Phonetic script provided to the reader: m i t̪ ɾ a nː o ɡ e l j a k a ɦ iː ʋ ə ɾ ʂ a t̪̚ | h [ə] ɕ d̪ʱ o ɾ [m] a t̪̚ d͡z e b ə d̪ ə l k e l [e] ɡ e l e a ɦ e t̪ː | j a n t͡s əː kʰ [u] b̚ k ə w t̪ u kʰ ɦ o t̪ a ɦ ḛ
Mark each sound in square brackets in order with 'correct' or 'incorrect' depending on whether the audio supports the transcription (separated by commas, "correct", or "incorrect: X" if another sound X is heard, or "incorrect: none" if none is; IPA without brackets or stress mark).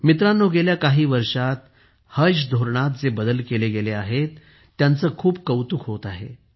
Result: correct, incorrect: ɳ, correct, incorrect: uː